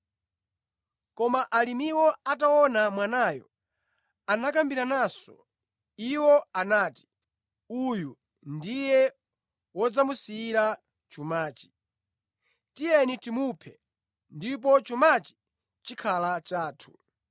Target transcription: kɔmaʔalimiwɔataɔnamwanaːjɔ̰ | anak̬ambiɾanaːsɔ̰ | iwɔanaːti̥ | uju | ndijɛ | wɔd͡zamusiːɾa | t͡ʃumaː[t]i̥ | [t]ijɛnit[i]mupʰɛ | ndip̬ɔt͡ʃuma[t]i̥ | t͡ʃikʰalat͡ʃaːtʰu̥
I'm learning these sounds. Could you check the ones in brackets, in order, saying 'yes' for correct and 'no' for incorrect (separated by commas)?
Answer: no, yes, yes, no